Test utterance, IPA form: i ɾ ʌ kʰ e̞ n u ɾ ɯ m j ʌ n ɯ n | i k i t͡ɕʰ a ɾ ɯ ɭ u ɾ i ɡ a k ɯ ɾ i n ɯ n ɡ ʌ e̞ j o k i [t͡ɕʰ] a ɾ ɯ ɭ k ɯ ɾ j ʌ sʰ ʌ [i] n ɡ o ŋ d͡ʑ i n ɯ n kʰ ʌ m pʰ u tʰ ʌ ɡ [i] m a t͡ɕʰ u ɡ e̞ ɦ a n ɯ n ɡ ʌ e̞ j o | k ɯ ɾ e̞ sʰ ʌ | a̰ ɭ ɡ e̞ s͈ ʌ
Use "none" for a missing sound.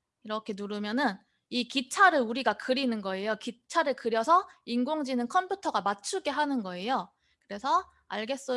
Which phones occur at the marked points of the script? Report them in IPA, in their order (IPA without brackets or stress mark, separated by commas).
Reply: t͡ɕʰ, i, a